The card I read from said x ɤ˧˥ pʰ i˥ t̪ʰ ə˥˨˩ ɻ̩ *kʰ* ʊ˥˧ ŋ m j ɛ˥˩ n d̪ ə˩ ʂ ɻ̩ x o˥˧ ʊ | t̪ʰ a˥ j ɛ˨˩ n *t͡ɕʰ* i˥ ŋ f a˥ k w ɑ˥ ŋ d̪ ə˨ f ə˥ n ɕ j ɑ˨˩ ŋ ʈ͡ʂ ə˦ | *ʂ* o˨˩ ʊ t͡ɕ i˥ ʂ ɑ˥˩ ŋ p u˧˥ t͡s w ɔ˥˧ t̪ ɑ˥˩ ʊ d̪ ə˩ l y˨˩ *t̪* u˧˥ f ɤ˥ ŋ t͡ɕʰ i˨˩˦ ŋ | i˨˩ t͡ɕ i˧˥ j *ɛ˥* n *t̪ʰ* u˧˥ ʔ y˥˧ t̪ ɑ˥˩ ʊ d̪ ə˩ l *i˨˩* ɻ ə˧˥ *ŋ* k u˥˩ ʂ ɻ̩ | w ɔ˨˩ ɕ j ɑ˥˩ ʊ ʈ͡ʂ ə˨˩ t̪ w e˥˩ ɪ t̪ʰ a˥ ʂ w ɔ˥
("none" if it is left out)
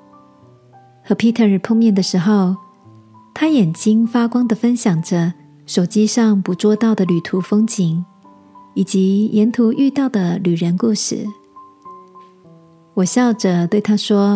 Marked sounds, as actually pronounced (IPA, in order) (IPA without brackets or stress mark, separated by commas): pʰ, t͡ɕ, ʂ, t̪ʰ, ɛ˧˥, t̪ʰ, y˨˩, n